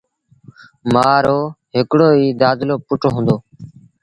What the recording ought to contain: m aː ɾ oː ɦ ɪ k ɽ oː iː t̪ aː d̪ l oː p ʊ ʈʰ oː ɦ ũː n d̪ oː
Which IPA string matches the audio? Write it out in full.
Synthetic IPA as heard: m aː ɾ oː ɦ ɪ k ɽ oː iː d̪ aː d̪ l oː p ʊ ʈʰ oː ɦ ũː n d̪ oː

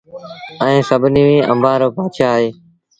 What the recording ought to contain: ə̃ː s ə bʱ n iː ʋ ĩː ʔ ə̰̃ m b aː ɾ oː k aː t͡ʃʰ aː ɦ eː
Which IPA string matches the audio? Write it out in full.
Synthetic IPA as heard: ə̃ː s ə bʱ n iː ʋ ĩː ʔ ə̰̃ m b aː ɾ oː p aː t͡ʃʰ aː ɦ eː

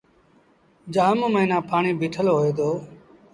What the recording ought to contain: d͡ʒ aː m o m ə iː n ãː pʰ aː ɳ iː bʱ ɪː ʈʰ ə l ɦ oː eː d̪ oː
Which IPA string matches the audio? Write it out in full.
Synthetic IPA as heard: d͡ʒ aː m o m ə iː n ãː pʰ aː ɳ iː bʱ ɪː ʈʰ ə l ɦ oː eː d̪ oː

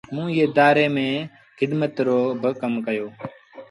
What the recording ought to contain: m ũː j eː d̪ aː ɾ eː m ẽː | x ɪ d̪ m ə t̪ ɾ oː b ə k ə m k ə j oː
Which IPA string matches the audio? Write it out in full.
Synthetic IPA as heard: m ũː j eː d̪ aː ɾ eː m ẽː | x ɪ d̪ m ə t̪ ɾ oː b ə k ə m k ə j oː

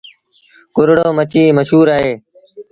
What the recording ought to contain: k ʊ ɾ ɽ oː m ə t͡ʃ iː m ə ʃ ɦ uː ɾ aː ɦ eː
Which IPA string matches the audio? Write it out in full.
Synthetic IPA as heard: k ʊ ɾ ɽ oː m ə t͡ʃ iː m ə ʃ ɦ uː ɾ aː ɦ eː

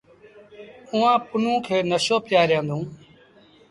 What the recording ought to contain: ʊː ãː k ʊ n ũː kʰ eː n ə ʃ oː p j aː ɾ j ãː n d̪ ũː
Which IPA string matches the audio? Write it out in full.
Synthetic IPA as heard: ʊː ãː p ʊ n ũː kʰ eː n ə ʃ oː p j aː ɾ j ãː n d̪ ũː

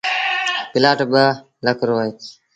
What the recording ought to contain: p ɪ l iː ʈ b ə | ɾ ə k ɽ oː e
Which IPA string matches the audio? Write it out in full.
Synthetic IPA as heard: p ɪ l aː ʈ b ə | l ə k ɾ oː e

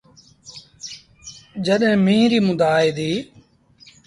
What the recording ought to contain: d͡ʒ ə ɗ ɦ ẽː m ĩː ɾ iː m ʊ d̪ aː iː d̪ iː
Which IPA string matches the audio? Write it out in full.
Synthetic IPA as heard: d͡ʒ ə ɗ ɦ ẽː m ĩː ɾ iː m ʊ d̪ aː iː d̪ iː

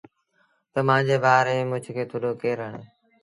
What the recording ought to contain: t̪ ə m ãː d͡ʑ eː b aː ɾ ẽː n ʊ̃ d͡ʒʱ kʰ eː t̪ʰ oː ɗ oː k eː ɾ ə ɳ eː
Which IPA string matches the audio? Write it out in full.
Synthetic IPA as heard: t̪ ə m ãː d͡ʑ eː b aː ɾ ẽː m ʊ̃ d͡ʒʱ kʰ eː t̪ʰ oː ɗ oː k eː ɾ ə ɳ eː

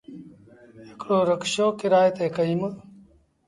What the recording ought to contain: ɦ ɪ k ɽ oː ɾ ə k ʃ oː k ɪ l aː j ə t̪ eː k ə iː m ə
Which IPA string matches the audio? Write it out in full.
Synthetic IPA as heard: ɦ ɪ k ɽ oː ɾ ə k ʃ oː k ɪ ɾ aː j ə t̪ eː k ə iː m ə

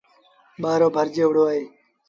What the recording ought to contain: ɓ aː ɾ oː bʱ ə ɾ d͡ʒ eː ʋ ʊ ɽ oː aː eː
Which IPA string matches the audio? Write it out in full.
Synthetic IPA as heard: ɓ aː ɾ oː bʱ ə ɾ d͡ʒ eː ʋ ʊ ɽ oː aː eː

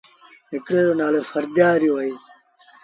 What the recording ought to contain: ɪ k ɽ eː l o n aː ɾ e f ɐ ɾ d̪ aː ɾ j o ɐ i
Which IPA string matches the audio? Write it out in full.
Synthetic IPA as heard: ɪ k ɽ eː ɾ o n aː l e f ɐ ɾ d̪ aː ɾ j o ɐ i

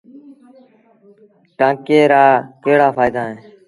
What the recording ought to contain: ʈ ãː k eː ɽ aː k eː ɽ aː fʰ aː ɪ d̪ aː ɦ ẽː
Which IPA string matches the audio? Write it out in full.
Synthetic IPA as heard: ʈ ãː k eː ɾ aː k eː ɽ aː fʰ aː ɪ d̪ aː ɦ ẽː

